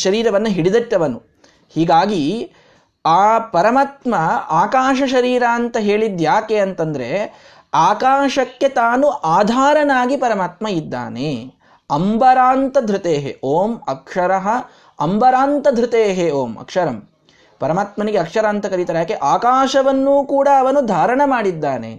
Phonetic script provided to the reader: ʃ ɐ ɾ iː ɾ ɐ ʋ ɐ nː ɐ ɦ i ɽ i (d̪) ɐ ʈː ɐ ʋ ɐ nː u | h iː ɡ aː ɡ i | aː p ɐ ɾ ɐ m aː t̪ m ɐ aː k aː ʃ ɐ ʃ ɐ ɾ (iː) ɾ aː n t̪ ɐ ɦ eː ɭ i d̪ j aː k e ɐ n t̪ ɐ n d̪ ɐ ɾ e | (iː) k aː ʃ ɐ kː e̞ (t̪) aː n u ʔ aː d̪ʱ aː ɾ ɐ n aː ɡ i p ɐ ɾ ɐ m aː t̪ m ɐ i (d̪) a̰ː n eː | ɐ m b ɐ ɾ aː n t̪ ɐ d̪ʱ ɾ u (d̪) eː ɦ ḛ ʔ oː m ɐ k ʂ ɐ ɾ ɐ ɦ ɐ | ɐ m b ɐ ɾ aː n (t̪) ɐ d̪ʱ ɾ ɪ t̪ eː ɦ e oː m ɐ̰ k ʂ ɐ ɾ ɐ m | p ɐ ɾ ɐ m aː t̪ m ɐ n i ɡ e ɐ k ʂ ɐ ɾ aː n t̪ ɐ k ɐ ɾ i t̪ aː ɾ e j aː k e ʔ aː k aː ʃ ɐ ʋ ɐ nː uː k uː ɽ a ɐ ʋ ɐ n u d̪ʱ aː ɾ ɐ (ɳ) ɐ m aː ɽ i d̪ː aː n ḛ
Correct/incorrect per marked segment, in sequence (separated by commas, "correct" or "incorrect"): correct, correct, incorrect, correct, incorrect, incorrect, correct, correct